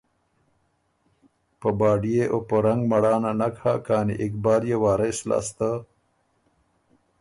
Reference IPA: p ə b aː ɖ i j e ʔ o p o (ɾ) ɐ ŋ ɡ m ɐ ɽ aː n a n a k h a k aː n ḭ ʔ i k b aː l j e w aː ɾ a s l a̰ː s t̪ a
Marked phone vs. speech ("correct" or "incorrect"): correct